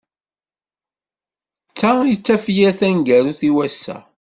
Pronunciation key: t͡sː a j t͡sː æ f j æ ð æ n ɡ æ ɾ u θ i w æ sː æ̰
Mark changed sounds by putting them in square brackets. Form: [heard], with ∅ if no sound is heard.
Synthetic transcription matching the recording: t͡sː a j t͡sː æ f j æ [θ] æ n ɡ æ ɾ u θ i w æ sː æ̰